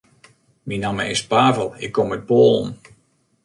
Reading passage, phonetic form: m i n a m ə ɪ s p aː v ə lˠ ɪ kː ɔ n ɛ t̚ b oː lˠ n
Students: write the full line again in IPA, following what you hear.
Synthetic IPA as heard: m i n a m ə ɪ s p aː v ə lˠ ɪ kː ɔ m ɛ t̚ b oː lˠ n